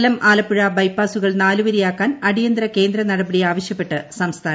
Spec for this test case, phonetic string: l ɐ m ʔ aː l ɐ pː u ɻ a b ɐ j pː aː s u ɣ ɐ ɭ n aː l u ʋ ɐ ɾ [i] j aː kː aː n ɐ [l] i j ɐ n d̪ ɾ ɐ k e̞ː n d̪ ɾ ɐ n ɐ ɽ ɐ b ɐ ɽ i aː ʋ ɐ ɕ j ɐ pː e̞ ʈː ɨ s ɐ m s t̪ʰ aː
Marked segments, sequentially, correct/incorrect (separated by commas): correct, incorrect